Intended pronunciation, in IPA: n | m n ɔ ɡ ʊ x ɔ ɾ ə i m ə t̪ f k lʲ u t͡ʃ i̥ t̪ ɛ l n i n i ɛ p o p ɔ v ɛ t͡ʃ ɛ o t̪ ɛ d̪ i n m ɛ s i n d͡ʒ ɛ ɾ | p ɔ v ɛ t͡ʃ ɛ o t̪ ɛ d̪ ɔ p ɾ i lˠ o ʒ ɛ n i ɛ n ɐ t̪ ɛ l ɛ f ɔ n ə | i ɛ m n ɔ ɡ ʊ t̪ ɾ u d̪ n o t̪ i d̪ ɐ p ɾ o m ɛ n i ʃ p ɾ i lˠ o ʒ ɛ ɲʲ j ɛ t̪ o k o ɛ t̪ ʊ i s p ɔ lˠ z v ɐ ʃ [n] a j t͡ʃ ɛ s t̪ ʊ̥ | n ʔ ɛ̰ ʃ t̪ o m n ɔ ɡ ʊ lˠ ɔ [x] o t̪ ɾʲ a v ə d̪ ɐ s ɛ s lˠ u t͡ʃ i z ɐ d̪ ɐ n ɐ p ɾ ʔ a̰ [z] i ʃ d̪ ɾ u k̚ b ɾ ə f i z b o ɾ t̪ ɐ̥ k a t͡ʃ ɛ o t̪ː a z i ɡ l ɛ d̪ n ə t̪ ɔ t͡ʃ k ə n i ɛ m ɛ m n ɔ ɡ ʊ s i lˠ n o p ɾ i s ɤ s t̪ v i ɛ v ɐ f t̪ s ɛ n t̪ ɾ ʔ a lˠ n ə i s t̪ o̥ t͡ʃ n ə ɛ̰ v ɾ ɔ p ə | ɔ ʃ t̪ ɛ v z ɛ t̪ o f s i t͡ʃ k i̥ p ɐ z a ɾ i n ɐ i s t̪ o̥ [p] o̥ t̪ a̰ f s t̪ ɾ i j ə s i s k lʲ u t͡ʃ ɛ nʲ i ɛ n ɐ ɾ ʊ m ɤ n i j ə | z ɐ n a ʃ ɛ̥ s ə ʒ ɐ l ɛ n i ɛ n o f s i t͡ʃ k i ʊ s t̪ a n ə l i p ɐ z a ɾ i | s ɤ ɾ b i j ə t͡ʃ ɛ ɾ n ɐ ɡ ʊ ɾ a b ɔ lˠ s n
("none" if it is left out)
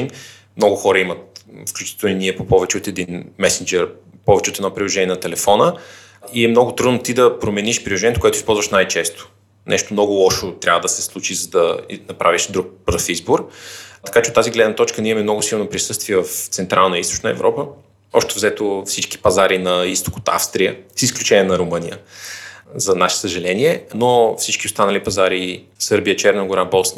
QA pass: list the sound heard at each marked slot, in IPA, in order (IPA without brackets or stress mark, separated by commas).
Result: n, ʃ, v, k